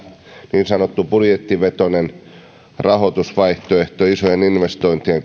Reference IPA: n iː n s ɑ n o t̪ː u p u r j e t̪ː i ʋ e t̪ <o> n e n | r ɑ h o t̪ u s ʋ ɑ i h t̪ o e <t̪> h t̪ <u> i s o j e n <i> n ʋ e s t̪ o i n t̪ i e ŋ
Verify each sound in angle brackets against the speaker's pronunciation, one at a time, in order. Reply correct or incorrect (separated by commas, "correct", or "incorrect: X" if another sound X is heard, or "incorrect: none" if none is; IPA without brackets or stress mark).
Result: correct, incorrect: none, incorrect: o, correct